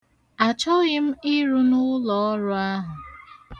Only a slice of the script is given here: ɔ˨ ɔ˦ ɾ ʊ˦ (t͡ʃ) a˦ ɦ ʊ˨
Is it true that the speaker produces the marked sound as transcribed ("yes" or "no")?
no